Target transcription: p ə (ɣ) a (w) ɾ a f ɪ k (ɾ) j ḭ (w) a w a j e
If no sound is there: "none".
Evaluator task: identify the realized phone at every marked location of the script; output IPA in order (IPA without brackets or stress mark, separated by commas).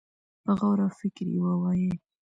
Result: ɣ, w, ɾ, w